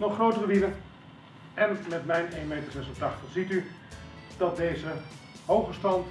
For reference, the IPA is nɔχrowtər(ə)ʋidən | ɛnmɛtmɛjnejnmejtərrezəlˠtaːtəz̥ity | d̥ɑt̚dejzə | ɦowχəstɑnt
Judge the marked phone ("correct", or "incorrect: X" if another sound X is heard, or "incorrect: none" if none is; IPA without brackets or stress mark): correct